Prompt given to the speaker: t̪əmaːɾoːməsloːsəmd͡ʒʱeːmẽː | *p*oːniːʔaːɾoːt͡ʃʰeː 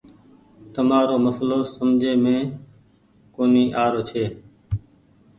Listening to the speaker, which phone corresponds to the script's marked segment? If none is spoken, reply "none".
k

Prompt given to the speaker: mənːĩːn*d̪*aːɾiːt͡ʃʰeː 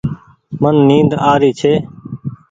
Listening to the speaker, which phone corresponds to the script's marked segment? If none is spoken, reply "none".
d̪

